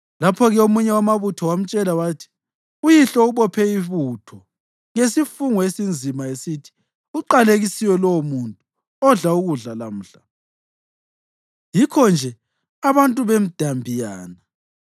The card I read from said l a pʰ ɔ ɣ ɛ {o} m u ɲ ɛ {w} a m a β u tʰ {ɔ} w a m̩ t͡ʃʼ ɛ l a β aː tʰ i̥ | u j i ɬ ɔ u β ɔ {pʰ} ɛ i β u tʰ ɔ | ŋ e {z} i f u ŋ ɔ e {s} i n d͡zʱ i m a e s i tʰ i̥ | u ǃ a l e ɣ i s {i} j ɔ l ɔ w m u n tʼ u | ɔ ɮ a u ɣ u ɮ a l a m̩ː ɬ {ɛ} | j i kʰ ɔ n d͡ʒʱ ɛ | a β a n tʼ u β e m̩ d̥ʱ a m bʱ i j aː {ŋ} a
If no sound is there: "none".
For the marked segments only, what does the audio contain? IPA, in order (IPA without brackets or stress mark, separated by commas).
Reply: o, w, ɔ, pʰ, s, s, i, a, n